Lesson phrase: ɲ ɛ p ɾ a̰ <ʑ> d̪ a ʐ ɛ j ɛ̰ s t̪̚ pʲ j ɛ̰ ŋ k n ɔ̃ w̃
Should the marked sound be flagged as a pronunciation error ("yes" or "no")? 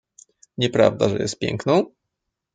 yes